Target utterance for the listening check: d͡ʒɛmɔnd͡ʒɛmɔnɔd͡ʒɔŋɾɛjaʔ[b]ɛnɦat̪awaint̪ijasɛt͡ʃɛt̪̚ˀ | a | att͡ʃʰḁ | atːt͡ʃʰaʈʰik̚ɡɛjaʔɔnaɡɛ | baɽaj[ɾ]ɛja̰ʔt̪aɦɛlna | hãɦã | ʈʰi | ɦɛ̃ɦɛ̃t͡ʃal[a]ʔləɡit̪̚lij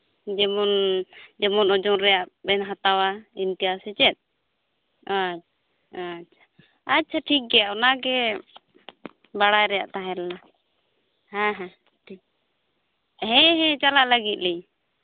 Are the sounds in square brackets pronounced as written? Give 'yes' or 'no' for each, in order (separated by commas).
yes, yes, yes